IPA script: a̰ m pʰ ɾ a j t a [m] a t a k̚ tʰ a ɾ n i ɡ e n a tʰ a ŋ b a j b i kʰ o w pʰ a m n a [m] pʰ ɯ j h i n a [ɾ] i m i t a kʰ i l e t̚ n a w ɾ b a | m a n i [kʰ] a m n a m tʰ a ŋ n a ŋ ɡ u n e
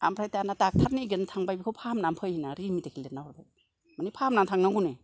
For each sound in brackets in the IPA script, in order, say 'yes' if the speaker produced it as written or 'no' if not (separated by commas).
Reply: no, yes, yes, no